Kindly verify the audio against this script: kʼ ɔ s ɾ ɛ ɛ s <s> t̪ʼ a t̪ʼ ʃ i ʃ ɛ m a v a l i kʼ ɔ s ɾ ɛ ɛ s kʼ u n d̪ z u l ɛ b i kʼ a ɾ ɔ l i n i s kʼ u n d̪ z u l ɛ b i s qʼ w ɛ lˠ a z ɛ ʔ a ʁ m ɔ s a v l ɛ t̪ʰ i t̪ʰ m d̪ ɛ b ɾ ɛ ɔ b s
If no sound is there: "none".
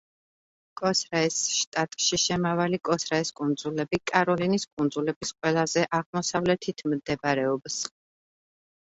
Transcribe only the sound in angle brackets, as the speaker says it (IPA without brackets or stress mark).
ʃ